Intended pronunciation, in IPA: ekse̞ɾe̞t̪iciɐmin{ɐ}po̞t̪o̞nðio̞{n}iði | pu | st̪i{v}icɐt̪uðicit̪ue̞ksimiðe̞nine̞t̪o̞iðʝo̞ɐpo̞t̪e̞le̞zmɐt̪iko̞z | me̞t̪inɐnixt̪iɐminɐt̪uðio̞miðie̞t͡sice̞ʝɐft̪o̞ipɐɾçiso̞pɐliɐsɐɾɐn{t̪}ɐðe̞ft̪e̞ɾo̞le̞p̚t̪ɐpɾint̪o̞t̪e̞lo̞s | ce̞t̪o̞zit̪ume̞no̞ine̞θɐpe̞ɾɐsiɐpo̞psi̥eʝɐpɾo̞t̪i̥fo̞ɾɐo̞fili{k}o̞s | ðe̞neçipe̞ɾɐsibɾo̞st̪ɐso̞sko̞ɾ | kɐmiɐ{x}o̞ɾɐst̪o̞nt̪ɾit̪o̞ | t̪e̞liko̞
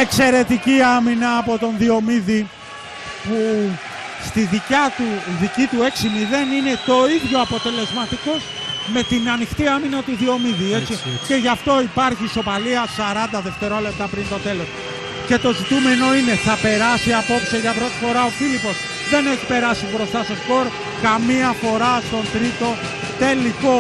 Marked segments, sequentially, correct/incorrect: incorrect, incorrect, incorrect, incorrect, incorrect, incorrect

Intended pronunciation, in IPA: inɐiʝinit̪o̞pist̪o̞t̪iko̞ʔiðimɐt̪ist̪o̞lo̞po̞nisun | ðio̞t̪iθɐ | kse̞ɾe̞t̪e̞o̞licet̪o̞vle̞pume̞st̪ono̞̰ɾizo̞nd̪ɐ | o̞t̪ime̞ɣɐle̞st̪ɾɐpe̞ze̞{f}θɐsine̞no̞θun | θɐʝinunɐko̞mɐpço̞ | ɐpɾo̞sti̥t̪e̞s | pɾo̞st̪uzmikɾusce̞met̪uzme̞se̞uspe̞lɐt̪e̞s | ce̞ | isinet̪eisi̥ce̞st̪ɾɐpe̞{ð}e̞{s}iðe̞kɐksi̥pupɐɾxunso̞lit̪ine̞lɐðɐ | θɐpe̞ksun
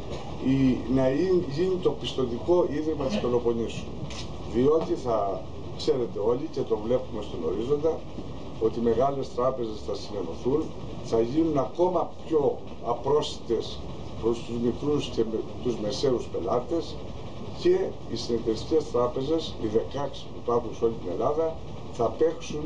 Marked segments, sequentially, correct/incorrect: incorrect, incorrect, correct

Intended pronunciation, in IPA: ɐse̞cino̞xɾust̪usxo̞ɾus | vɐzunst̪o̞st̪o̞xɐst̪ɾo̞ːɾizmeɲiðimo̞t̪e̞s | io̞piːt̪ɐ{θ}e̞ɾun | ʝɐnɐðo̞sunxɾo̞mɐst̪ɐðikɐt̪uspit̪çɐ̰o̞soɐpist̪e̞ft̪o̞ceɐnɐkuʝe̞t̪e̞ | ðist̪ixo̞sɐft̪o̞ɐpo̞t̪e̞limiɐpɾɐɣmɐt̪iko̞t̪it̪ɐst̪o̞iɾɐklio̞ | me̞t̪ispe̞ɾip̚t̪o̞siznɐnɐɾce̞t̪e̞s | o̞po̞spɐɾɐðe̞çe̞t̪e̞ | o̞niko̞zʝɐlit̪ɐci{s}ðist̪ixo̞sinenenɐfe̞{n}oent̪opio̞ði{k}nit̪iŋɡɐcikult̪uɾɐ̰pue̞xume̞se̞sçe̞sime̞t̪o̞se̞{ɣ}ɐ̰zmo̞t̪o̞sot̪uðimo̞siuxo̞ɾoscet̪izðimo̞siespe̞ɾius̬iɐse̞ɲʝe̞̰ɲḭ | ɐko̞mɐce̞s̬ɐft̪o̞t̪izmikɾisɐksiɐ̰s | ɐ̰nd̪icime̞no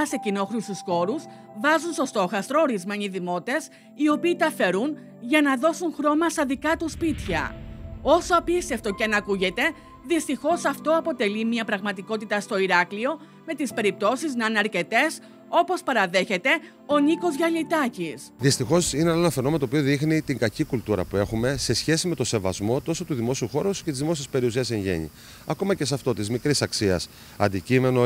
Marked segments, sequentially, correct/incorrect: incorrect, correct, correct, incorrect, incorrect

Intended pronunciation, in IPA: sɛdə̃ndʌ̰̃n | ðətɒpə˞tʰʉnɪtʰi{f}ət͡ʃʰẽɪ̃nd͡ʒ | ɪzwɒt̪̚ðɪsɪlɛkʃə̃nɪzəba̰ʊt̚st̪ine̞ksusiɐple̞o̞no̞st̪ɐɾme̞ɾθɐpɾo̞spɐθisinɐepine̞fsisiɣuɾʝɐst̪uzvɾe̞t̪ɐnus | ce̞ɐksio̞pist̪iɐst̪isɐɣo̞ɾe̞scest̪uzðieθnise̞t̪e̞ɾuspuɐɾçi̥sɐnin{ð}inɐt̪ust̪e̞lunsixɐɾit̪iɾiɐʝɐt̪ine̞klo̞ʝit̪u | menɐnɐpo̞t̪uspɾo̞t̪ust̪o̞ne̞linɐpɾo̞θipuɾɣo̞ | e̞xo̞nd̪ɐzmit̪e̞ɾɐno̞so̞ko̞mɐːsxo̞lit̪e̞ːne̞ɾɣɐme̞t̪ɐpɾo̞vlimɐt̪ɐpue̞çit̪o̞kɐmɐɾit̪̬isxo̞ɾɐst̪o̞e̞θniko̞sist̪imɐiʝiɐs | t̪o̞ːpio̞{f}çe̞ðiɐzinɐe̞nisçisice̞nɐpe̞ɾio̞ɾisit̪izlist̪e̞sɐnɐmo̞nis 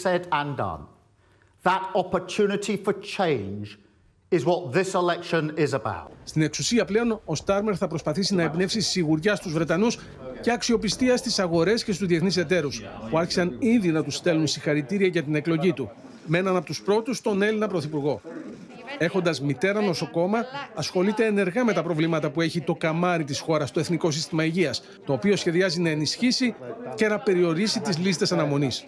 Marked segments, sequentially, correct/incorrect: correct, correct, incorrect

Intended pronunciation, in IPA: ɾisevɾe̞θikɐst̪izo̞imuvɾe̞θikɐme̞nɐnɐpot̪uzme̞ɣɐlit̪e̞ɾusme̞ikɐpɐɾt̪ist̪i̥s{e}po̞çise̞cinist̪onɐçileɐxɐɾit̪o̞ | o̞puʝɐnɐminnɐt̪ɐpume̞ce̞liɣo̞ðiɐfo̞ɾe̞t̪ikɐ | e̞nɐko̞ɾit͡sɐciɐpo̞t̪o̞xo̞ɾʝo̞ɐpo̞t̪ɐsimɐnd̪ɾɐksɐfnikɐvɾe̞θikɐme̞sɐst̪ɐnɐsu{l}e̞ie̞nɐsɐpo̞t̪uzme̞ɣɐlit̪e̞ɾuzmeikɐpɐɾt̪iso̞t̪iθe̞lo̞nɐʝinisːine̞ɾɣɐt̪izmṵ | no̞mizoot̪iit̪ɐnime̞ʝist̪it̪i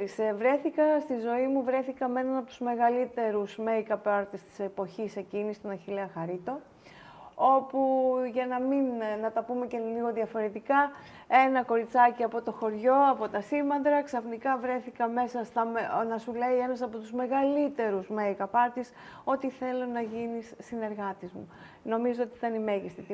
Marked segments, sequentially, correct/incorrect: correct, correct

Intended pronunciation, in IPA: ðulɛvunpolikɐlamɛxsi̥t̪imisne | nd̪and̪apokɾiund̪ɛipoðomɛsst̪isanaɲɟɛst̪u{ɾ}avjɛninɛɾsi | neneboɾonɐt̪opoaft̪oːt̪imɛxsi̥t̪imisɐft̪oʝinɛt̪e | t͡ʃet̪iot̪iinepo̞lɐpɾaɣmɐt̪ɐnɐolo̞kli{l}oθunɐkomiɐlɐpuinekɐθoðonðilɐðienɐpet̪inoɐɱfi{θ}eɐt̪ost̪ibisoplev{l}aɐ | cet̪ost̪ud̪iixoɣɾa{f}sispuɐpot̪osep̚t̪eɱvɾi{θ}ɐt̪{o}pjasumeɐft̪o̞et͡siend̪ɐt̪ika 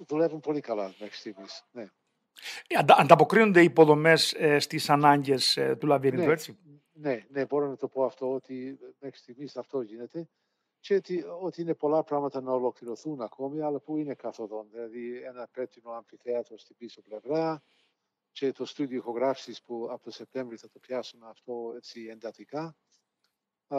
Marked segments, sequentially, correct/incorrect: incorrect, incorrect, correct, incorrect, correct, correct, correct

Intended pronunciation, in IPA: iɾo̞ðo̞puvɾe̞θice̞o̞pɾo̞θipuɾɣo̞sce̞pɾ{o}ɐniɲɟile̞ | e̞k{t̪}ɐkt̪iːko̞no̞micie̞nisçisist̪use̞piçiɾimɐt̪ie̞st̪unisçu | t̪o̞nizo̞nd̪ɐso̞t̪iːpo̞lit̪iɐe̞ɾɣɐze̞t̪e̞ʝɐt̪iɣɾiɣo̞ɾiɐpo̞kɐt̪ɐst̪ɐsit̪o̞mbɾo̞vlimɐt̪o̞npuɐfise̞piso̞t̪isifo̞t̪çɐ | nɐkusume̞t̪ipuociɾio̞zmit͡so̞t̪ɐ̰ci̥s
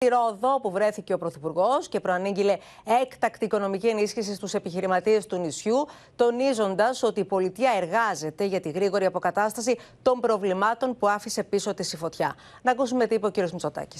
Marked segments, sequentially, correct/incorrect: correct, correct

